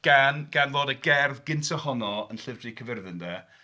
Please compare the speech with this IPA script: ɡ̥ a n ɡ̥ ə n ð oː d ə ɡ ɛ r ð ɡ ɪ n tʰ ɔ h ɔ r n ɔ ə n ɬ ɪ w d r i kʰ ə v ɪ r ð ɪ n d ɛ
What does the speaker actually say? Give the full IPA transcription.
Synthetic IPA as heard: ɡ̥ a n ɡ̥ a n v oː d ə ɡ ɛ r ð ɡ ɪ n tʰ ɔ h ɔ n ɔ ə n ɬ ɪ v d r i kʰ ə v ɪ r ð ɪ n d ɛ